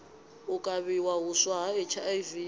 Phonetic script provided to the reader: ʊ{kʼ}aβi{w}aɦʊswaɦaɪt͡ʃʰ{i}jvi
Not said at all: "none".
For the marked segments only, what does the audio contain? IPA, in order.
kʼ, w, a

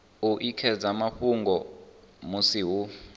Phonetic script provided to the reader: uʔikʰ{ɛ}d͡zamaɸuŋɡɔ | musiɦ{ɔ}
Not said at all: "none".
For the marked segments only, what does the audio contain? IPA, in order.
ɛ, u

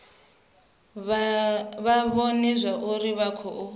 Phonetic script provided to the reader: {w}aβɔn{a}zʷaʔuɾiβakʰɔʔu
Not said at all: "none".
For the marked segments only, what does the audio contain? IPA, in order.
β, ɛ

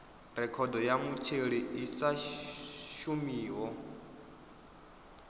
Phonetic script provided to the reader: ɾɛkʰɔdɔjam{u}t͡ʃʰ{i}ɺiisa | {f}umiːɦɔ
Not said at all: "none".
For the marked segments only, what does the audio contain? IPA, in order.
u, e, ʃ

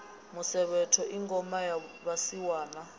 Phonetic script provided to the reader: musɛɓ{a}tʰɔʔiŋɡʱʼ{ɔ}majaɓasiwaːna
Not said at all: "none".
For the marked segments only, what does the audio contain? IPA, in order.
ɛ, ɔ

